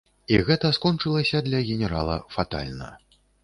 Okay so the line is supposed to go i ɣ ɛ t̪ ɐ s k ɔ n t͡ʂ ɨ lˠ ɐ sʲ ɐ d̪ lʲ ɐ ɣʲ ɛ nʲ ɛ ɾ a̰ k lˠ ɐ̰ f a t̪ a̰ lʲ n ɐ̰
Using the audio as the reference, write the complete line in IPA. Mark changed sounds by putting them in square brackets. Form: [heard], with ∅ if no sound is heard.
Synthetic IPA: i ɣ ɛ t̪ ɐ s k ɔ n t͡ʂ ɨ lˠ ɐ sʲ ɐ d̪ lʲ ɐ ɣʲ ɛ nʲ ɛ ɾ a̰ [∅] lˠ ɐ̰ f a t̪ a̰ lʲ n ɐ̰